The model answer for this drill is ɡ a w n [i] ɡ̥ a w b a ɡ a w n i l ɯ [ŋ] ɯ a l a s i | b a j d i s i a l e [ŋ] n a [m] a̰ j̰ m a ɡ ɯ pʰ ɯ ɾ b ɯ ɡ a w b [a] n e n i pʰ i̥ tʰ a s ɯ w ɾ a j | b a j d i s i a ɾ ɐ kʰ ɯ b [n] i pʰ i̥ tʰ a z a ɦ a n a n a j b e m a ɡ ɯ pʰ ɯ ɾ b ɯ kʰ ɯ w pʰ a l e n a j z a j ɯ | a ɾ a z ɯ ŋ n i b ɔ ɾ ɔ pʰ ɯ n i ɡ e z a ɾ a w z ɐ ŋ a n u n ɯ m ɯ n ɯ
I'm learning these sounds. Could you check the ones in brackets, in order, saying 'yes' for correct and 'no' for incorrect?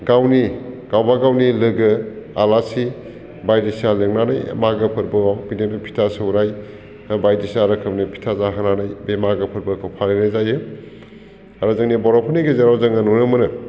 yes, no, yes, no, no, yes

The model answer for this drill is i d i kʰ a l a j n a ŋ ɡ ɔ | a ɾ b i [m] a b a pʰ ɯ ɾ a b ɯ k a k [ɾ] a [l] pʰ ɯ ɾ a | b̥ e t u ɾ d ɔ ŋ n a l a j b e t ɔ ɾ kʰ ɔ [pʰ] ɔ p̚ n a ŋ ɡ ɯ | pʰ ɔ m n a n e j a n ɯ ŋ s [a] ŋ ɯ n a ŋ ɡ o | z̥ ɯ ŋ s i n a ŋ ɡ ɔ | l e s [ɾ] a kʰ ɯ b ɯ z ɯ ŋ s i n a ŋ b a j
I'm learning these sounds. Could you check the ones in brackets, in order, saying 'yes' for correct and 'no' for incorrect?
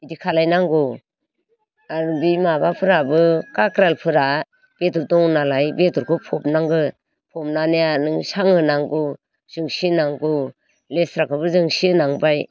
yes, yes, yes, yes, yes, yes

